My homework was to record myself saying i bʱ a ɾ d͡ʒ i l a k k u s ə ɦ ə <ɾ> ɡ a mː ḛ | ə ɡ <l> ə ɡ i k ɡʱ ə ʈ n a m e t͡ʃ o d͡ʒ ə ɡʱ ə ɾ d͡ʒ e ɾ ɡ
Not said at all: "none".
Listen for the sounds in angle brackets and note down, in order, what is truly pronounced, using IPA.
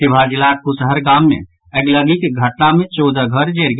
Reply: ɾ, l

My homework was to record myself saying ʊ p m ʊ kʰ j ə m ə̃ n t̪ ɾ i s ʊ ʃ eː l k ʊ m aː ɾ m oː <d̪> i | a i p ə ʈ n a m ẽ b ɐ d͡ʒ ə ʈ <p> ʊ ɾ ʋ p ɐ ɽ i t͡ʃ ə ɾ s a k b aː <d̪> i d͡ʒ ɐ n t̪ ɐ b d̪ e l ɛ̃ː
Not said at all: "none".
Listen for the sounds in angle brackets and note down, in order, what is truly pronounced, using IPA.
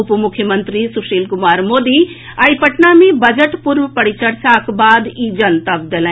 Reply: d̪, p, d̪

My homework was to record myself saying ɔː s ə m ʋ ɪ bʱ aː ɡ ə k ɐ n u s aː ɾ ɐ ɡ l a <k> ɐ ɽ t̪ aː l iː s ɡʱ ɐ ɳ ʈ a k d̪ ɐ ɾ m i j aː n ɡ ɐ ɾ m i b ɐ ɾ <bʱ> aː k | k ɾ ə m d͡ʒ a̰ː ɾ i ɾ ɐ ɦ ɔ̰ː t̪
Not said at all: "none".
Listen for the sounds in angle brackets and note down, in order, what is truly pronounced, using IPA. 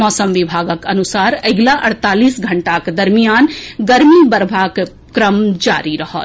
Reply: ʔ, bʱ

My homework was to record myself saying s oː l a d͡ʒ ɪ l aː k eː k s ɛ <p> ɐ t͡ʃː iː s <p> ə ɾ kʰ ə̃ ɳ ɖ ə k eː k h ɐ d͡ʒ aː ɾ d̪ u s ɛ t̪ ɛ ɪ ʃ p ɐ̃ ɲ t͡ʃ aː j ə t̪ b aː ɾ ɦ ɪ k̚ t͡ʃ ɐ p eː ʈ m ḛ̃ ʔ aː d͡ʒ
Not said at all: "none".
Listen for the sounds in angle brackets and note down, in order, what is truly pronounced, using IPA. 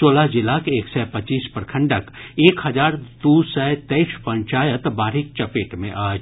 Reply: p, p

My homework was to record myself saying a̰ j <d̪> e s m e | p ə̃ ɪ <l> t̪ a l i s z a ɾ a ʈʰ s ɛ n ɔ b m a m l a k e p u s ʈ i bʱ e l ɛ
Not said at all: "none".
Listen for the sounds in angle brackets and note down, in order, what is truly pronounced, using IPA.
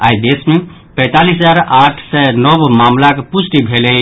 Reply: d̪, none

